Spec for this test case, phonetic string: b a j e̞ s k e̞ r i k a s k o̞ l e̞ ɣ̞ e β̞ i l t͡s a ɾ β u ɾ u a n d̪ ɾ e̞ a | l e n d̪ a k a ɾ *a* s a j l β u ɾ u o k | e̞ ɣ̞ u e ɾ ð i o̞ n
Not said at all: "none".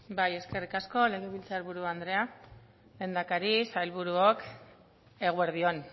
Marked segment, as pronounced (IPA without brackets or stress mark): i